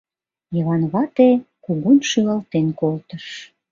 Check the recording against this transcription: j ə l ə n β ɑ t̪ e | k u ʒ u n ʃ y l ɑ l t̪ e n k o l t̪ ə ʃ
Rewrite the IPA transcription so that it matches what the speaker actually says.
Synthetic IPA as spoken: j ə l ɑ n β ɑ t̪ e | k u ɣ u n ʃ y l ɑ l t̪ e n k o l t̪ ə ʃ